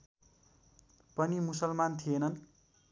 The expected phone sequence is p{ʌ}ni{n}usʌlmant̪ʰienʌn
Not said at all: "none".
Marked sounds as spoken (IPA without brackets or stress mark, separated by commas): ʌ, m